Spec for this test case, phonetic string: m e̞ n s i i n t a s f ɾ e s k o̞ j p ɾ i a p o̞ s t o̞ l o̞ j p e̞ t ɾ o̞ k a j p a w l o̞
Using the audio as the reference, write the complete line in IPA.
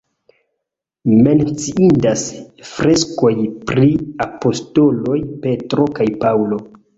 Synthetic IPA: m e̞ n t͡s i i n d a s f ɾ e s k o̞ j p ɾ i a p o̞ s t o̞ l o̞ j p e̞ t ɾ o̞ k a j p a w l o̞